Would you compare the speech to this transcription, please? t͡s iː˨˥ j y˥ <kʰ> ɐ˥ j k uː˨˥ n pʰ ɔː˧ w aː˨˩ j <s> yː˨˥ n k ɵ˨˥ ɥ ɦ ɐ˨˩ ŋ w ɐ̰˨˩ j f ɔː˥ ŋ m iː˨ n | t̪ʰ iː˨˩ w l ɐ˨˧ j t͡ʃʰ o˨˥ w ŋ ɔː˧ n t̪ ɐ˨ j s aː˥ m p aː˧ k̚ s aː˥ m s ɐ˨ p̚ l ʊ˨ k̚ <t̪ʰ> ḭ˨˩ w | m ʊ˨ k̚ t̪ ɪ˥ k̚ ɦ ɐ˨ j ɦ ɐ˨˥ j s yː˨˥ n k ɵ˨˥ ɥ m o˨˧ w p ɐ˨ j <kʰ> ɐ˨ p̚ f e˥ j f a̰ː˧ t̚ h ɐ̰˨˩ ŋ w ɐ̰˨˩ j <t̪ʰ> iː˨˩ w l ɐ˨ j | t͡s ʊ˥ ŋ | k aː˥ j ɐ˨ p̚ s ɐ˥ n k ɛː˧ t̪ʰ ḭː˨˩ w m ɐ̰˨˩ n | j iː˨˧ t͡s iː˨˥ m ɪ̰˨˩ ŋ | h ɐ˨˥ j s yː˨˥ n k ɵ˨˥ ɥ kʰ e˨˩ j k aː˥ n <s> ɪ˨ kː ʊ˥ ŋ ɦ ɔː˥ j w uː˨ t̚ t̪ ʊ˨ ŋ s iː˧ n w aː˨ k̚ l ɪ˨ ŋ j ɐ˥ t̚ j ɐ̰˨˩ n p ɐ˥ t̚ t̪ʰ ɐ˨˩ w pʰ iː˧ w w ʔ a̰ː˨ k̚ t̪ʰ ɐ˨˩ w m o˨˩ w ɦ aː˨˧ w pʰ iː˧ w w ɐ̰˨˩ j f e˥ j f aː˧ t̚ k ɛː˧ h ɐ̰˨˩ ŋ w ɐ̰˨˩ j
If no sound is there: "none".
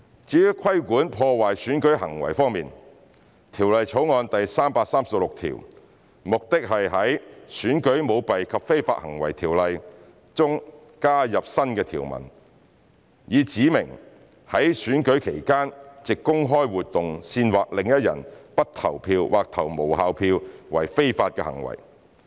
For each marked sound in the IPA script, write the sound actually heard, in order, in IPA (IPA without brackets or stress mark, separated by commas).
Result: kʰ, s, t̪ʰ, kʰ, t̪ʰ, t͡s